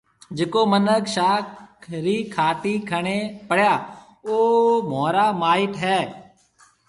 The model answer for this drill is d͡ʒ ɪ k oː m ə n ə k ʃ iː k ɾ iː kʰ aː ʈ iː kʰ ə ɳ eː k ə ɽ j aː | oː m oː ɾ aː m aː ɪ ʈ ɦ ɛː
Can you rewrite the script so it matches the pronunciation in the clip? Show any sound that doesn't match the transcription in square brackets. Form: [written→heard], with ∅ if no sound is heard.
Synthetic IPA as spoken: d͡ʒ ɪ k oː m ə n ə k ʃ [iː→aː] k ɾ iː kʰ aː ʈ iː kʰ ə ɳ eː [k→p] ə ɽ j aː | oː m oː ɾ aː m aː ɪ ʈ ɦ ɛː